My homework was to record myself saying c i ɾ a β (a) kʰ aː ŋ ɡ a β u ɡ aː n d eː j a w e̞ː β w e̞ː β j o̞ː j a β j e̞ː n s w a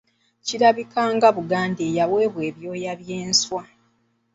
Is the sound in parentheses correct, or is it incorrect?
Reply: incorrect